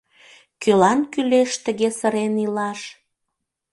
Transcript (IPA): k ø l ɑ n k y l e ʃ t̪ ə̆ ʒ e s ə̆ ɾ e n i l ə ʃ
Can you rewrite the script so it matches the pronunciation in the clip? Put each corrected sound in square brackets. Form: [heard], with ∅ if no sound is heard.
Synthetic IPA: k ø l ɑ n k y l e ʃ t̪ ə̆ [ɣ] e s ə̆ ɾ e n i l [ɑ] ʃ